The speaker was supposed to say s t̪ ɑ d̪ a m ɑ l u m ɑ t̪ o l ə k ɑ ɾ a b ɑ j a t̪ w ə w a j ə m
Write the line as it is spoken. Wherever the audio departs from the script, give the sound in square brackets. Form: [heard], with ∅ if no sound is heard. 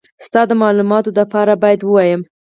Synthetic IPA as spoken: s t̪ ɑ d̪ [ə] m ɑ l u m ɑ t̪ o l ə [p] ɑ ɾ a b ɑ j a [d̪] w ə w [ɑ] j ə m